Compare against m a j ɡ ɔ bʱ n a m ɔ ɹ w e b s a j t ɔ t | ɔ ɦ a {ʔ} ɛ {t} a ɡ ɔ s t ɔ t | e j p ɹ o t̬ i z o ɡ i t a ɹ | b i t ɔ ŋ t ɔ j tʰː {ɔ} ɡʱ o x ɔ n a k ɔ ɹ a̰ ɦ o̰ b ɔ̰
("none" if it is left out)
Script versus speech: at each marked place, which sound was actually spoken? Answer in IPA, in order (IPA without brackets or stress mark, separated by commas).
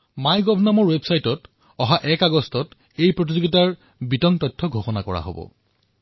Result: ʔ, k, ɔ